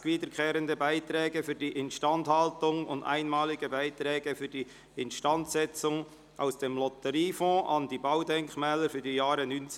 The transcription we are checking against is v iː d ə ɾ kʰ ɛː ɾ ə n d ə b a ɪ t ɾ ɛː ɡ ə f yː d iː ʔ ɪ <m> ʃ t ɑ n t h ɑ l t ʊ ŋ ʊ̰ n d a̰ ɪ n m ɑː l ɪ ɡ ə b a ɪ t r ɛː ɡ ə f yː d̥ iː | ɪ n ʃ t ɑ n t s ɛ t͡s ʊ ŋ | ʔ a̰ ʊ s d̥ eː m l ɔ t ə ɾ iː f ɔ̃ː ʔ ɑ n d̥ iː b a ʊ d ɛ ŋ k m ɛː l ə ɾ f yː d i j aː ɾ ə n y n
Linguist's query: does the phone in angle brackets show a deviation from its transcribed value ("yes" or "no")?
yes